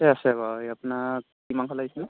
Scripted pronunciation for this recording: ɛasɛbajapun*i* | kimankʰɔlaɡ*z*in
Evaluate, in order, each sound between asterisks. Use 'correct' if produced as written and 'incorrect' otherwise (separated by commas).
incorrect, incorrect